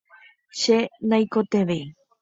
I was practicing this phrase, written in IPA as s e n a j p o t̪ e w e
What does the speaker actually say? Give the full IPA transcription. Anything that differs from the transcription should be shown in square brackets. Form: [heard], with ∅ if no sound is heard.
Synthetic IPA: [ʃ] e n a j [k] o t̪ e [ʋ] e